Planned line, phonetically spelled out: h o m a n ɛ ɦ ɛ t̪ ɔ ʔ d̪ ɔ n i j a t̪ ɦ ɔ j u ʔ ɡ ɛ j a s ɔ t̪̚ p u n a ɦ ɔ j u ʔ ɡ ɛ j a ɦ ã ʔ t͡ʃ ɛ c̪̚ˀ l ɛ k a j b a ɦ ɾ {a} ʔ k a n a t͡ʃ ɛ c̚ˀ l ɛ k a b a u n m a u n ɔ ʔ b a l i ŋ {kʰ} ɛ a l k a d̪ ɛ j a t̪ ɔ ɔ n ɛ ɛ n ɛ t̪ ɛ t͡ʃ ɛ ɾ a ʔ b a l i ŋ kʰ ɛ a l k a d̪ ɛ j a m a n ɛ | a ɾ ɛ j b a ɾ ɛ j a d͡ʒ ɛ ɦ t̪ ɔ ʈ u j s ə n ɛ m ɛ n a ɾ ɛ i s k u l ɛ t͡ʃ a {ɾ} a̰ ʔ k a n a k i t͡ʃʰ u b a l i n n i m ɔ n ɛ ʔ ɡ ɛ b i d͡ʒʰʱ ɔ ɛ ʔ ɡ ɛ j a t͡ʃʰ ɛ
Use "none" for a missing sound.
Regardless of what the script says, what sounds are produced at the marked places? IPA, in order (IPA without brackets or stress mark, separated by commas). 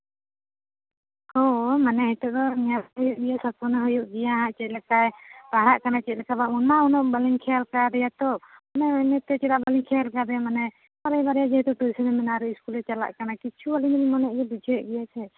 a, kʰ, l